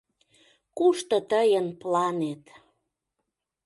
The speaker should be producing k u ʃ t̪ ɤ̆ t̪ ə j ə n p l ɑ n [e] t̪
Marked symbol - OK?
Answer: yes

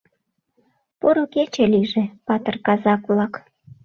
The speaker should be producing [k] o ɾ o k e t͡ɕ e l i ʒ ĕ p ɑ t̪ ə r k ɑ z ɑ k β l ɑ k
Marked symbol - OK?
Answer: no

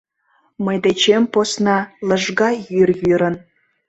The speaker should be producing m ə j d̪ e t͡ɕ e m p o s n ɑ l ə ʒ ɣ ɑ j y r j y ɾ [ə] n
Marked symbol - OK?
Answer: yes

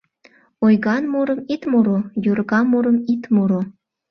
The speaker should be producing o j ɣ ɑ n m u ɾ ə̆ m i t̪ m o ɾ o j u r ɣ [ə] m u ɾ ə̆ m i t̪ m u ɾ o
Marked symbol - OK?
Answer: no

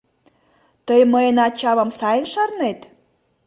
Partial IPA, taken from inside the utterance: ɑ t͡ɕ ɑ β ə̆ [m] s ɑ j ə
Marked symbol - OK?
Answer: yes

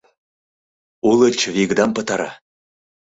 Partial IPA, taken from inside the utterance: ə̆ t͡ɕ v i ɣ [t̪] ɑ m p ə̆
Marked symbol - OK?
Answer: no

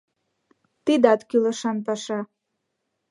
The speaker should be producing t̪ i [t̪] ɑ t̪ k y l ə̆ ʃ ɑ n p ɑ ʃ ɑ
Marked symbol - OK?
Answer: no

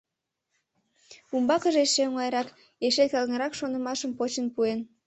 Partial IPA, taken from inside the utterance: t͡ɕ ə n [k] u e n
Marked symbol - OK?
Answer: no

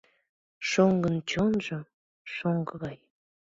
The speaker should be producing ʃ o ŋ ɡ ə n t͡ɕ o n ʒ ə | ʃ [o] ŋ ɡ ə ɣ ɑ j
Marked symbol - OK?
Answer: yes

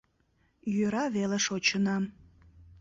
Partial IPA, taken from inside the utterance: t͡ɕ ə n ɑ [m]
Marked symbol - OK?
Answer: yes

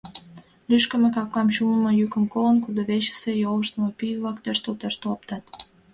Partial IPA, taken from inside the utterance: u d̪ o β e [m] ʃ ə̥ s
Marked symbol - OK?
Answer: no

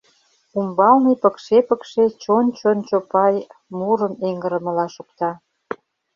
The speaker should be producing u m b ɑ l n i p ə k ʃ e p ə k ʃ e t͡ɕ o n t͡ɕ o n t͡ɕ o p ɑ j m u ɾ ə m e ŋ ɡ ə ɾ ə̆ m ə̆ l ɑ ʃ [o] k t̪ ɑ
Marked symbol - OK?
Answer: no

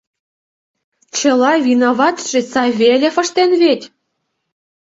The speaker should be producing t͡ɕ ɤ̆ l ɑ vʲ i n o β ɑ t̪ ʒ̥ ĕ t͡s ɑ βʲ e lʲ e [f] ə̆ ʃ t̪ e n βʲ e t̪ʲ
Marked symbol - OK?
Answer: yes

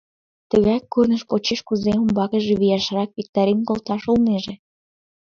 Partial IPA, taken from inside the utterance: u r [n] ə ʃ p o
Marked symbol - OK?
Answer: yes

